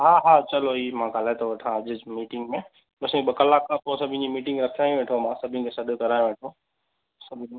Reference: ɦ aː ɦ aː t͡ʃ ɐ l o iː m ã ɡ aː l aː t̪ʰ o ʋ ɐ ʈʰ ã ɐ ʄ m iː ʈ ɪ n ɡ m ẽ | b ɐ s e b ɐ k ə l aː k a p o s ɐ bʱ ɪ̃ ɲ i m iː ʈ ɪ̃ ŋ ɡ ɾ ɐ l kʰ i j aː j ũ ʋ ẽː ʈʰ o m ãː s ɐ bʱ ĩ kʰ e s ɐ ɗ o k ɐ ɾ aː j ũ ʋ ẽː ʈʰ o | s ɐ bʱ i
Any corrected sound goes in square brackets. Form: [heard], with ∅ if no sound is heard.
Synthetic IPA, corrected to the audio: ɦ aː ɦ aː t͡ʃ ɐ l o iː m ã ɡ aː l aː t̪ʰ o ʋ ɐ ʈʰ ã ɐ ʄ m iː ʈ ɪ [ŋ] ɡ m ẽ | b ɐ s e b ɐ k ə l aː k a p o s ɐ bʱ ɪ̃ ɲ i m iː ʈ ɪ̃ ŋ ɡ ɾ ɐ [∅] kʰ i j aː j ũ ʋ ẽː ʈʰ o m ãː s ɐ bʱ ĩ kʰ e s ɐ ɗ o k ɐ ɾ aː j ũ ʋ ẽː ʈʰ o | s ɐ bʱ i